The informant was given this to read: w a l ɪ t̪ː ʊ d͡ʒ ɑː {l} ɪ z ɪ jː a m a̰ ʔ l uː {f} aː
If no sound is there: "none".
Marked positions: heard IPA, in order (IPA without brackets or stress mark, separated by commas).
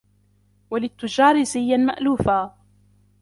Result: ɾ, f